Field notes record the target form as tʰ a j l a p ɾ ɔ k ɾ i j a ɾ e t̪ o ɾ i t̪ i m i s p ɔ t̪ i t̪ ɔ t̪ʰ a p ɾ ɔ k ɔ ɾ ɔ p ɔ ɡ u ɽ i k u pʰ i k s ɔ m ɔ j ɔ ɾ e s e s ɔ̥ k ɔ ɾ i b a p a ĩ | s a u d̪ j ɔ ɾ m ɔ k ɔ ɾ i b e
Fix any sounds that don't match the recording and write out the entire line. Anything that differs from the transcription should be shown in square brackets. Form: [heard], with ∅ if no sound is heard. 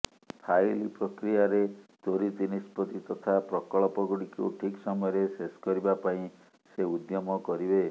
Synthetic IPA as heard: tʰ a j l [i] p ɾ ɔ k ɾ i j a ɾ e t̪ o ɾ i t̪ i [n] i s p ɔ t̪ i t̪ ɔ t̪ʰ a p ɾ ɔ k ɔ [ɭ] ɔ p ɔ ɡ u ɽ i k u [ʈʰ] i k s ɔ m ɔ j ɔ ɾ e s e s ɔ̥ k ɔ ɾ i b a p a ĩ | s [e] u d̪ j ɔ [∅] m ɔ k ɔ ɾ i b e